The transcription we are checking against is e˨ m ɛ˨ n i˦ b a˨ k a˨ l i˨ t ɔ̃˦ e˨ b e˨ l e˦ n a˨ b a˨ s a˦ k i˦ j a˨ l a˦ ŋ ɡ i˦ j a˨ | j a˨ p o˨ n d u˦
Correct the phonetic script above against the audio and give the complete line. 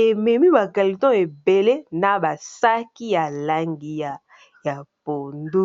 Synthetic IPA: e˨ m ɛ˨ m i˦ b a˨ k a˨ l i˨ t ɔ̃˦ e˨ b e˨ l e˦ n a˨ b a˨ s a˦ k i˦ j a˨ l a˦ ŋ ɡ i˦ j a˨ | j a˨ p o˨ n d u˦